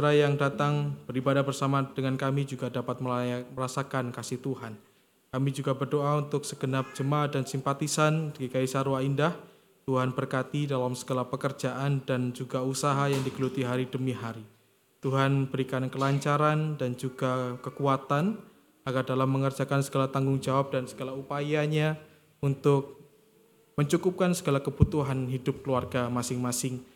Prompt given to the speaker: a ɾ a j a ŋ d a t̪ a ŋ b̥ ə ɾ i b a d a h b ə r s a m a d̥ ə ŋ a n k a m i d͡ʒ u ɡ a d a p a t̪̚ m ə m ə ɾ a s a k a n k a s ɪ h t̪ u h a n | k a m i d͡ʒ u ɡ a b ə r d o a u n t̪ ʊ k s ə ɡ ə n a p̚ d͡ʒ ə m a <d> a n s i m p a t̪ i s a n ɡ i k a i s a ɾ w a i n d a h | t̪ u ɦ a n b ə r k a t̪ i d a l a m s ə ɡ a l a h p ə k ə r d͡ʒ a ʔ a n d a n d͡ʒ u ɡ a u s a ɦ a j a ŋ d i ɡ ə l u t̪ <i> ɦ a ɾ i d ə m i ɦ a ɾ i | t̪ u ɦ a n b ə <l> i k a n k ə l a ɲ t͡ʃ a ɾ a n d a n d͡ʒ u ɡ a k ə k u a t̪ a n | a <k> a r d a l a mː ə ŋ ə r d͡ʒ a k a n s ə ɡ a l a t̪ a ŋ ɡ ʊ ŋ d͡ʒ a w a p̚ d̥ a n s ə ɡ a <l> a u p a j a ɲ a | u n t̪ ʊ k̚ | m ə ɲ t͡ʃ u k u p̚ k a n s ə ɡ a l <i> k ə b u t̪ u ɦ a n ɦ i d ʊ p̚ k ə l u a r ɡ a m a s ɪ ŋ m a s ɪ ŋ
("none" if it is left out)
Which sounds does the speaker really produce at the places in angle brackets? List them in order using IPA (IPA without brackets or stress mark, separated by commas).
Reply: d, i, ɾ, ɡ, l, a